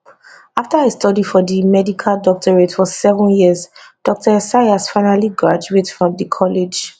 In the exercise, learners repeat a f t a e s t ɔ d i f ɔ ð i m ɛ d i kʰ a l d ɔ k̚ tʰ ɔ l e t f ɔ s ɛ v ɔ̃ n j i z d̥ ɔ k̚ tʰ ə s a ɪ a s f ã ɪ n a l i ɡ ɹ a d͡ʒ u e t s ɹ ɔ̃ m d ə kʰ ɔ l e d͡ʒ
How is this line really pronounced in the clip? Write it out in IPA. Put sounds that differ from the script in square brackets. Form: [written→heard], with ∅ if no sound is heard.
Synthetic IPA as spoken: a f t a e s t ɔ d i f ɔ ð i m ɛ d i kʰ a l d ɔ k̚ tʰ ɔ [l→ɹ] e t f ɔ s ɛ v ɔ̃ n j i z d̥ ɔ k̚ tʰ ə s a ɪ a s f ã ɪ n a l i ɡ ɹ a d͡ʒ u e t [s→f] ɹ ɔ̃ m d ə kʰ ɔ l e d͡ʒ